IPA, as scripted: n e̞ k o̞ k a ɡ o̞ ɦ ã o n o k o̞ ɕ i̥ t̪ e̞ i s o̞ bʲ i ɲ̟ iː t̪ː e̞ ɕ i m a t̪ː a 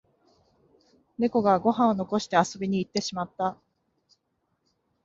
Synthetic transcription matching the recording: n e̞ k o̞ ɡ a ɡ o̞ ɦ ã o n o k o̞ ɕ i̥ t̪ e̞ a s o̞ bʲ i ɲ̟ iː t̪ː e̞ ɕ i m a t̪ː a